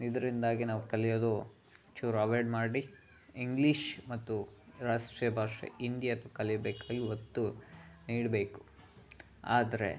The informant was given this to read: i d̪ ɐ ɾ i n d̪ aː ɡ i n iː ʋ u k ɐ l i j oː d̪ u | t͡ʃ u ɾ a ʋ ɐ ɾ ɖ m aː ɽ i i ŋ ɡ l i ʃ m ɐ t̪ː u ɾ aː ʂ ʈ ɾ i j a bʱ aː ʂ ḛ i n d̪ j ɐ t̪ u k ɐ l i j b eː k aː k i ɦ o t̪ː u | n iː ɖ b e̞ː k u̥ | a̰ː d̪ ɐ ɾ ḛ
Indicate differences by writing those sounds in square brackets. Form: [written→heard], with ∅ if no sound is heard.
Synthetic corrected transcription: i d̪ ɐ ɾ i n d̪ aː ɡ i n [iː→aː] ʋ u k ɐ l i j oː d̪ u | t͡ʃ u ɾ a ʋ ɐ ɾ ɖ m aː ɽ i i ŋ ɡ l i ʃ m ɐ t̪ː u ɾ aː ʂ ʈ ɾ i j [a→ɐ] bʱ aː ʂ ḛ i n d̪ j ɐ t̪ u k ɐ l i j b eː k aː [k→ɡ] i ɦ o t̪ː u | n iː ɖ b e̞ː k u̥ | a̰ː d̪ ɐ ɾ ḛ